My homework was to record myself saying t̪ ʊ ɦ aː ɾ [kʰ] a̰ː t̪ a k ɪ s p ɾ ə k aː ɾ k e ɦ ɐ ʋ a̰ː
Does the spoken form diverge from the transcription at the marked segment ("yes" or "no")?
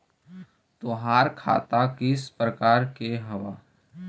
no